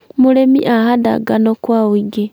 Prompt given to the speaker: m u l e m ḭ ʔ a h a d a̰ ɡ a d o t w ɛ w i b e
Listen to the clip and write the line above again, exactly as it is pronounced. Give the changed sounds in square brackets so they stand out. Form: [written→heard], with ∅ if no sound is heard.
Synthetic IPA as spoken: m u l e m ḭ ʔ a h a d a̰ ɡ a [d→n] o [t→k] w [ɛ→a] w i [b→ɡ] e